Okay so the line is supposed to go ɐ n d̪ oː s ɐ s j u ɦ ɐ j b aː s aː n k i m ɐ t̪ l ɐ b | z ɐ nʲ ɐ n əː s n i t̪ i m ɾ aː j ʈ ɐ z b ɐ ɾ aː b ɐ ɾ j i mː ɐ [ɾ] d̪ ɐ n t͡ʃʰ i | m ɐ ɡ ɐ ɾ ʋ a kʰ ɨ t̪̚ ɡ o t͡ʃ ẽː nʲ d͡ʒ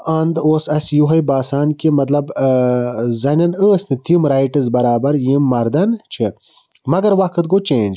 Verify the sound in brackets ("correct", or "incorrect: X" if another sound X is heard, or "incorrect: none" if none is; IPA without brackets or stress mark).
correct